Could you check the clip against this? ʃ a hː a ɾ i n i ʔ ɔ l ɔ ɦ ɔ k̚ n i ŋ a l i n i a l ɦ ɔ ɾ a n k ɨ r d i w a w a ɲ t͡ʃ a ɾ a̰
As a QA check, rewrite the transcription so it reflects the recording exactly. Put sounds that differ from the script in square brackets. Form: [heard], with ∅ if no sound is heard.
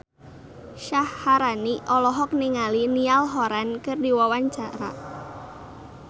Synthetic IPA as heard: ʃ a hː a ɾ [a] n i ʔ ɔ l ɔ ɦ ɔ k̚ n i ŋ a l i n i a l ɦ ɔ ɾ a n k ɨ r d i w a w a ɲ t͡ʃ a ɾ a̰